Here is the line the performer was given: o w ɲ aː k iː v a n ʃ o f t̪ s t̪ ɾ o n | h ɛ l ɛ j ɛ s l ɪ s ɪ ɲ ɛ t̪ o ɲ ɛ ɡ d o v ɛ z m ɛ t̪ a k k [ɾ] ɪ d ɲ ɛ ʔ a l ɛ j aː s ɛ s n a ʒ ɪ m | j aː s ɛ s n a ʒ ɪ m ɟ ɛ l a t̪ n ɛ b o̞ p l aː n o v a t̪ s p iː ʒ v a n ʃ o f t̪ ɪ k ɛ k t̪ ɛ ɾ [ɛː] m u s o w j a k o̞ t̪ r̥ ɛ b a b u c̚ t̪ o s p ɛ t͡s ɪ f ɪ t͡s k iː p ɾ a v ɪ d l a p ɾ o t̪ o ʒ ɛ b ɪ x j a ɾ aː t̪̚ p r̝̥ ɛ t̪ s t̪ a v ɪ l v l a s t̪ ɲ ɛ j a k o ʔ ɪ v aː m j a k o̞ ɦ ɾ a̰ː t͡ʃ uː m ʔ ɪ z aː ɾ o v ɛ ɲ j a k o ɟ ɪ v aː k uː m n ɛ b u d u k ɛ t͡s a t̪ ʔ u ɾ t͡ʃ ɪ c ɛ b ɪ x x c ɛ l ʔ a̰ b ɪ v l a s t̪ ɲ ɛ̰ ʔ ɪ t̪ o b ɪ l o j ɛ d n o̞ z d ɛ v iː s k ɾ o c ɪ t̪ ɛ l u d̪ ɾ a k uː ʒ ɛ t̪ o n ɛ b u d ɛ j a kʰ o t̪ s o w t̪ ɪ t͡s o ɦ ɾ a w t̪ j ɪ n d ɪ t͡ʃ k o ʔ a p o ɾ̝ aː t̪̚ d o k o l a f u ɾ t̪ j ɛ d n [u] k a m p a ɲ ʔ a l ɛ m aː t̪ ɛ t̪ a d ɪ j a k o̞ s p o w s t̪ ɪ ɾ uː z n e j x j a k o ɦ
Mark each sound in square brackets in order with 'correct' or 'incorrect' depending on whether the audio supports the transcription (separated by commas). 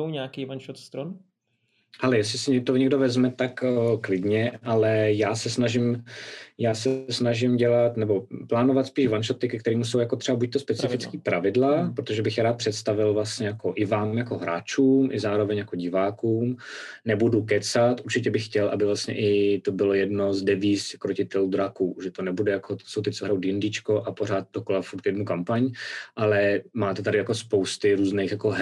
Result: incorrect, incorrect, correct